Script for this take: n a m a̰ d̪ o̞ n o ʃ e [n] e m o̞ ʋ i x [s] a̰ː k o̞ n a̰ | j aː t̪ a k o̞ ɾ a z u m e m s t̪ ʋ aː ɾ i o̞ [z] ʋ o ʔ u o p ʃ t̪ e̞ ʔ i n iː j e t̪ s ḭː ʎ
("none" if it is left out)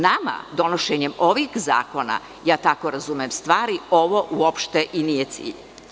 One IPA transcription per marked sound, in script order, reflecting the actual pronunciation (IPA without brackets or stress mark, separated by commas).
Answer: ɲ, z, none